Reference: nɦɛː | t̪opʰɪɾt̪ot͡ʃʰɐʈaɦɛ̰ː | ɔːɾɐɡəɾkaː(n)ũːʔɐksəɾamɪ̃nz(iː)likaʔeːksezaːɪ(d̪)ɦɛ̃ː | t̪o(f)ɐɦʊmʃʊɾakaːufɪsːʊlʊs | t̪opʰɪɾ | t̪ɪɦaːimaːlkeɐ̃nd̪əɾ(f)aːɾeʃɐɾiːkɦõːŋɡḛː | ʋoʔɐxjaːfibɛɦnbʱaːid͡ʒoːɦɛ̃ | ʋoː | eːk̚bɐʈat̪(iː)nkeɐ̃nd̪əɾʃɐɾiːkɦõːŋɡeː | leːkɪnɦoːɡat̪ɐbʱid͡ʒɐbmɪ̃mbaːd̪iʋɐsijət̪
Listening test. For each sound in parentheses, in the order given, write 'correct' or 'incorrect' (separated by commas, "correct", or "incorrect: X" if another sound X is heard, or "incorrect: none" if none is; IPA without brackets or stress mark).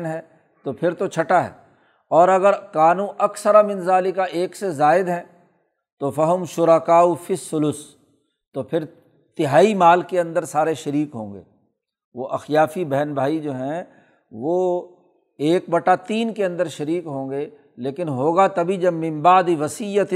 correct, incorrect: aː, correct, correct, incorrect: s, correct